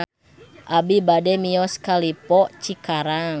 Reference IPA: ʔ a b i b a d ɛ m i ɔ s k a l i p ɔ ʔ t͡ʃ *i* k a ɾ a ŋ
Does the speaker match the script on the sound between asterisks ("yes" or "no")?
yes